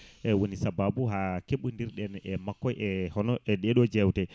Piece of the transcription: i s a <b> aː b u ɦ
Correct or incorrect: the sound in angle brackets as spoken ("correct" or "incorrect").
correct